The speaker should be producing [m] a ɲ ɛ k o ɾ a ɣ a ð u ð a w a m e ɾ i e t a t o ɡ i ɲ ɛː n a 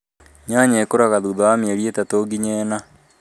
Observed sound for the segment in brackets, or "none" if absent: ɲ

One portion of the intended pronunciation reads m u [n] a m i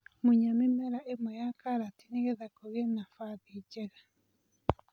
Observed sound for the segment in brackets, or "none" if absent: ɲ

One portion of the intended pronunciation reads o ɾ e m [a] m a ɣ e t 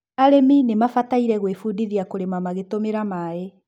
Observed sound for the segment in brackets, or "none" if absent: a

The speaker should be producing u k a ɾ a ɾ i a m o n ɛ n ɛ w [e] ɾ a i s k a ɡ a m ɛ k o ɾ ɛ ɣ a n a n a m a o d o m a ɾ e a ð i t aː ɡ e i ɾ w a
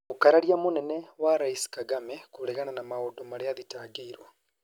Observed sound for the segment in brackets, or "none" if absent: a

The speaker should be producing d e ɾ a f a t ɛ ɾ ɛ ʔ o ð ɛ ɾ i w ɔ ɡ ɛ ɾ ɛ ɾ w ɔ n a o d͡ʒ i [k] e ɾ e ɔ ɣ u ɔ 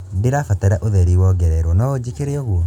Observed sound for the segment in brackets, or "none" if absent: k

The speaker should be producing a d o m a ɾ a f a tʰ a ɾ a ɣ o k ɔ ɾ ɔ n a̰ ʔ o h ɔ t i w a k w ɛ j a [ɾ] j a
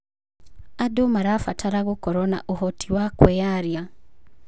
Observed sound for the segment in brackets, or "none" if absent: ɾ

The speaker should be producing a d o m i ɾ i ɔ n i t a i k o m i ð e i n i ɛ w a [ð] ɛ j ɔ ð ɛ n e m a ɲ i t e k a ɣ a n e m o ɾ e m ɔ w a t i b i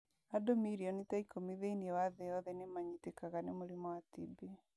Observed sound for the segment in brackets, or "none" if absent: ð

